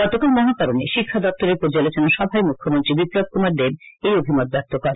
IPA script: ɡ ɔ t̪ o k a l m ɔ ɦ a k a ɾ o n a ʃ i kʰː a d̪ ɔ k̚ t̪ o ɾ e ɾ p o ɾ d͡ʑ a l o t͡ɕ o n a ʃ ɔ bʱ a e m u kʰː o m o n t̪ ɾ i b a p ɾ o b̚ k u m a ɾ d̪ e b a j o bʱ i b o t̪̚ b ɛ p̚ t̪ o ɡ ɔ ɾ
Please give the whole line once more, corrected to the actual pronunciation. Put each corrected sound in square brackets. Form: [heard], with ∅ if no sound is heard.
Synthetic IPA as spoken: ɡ ɔ t̪ o k a l m ɔ ɦ a k a ɾ o n [e] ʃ i kʰː a d̪ ɔ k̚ t̪ o ɾ e ɾ p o ɾ d͡ʑ a l o t͡ɕ o n a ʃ ɔ bʱ a e m u kʰː o m o n t̪ ɾ i b [i] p ɾ o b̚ k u m a ɾ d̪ e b [e] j o bʱ i [m] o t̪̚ b ɛ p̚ t̪ o [k] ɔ ɾ